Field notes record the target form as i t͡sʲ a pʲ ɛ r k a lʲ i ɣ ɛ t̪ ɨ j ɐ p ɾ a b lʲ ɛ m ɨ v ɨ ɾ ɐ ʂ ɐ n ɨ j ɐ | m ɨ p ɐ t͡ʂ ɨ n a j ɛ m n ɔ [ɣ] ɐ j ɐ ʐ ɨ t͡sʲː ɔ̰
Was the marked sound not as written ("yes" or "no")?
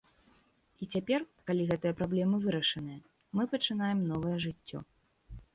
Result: yes